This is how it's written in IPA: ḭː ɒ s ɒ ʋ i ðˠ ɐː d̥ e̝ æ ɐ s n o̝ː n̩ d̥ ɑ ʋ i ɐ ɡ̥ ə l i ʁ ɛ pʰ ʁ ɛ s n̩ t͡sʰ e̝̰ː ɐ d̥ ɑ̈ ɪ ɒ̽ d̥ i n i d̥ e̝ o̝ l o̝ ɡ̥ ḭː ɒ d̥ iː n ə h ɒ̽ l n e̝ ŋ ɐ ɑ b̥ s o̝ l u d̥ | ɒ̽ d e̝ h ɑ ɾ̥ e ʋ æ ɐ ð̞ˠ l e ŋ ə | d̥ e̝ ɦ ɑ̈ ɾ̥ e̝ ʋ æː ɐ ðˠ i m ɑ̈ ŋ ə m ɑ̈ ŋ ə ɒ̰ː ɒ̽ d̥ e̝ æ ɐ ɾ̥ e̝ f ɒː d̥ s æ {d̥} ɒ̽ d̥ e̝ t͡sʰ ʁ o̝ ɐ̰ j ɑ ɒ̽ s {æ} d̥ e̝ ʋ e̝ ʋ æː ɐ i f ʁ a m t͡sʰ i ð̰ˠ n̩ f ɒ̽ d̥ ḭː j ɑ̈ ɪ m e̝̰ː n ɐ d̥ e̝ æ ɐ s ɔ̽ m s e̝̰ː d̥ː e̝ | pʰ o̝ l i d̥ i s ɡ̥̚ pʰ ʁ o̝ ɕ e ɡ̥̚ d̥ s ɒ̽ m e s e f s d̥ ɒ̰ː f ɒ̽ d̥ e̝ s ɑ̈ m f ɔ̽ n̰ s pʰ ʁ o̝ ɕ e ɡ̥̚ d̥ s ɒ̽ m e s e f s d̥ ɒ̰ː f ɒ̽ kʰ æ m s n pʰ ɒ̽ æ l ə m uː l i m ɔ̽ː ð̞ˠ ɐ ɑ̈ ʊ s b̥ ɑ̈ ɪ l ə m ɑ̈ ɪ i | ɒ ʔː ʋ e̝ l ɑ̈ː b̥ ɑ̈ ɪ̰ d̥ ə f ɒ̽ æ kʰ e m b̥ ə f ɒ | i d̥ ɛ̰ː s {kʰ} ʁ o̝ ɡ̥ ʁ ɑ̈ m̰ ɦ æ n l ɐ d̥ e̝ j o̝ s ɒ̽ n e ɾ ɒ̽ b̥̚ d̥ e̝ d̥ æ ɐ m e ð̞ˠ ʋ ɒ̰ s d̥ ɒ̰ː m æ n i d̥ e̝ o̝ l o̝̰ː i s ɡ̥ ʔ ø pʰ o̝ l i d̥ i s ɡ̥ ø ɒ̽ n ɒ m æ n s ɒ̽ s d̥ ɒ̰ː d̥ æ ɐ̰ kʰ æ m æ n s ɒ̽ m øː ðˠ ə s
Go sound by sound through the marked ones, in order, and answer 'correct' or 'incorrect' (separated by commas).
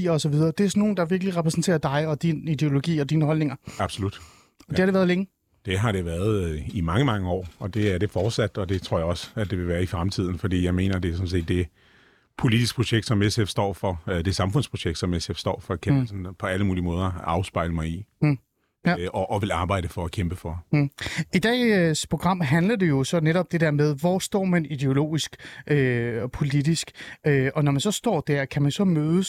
correct, correct, incorrect